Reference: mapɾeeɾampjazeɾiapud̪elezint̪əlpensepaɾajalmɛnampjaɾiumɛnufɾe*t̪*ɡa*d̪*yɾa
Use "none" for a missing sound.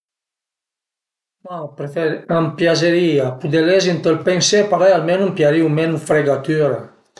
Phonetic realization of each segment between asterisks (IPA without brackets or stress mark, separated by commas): none, t̪